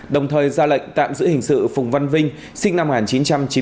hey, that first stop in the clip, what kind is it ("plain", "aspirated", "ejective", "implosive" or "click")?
implosive